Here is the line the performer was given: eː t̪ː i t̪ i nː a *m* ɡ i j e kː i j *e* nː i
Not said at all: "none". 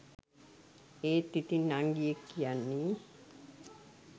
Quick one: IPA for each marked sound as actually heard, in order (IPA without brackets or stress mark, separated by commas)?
ŋ, a